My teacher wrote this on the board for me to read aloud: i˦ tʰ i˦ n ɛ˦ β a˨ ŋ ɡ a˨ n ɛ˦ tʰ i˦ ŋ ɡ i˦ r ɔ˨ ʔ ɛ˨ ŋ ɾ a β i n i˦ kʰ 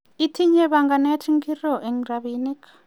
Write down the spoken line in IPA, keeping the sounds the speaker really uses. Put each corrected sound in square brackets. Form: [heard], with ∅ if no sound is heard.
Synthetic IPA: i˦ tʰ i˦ [ɲ] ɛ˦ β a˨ ŋ ɡ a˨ n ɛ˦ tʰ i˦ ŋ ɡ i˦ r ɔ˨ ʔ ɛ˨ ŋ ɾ a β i n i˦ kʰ